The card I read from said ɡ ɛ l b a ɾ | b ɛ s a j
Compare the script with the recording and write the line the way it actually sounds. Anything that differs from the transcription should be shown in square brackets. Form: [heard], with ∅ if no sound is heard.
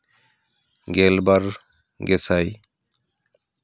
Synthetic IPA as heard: ɡ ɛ l b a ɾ | [ɡ] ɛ s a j